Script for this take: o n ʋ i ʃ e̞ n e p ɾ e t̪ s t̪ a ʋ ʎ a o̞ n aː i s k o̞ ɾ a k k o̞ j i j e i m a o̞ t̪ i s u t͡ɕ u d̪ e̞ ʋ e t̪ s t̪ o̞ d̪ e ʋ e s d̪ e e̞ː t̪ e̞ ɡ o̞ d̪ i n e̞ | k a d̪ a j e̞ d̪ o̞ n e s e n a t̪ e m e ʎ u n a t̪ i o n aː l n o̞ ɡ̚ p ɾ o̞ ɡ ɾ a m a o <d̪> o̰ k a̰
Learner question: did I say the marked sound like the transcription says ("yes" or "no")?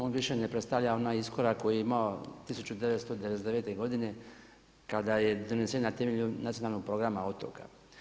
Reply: no